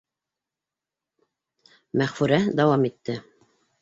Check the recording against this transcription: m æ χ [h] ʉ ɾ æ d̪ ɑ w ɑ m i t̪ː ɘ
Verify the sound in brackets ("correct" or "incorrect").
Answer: incorrect